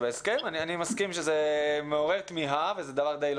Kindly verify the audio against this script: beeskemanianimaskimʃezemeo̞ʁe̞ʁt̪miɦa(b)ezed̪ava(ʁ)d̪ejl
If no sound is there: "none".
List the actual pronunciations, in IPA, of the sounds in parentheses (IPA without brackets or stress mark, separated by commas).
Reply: v, ʁ